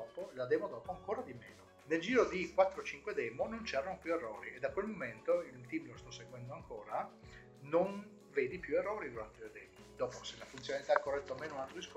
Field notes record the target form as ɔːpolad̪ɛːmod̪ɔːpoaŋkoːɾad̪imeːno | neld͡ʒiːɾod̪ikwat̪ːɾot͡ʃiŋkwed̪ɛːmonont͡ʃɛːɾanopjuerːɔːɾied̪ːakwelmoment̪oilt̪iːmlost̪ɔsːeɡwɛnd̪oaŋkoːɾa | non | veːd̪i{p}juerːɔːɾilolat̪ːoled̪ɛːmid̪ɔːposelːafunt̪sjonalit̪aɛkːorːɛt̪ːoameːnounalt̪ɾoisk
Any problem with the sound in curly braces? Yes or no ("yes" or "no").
no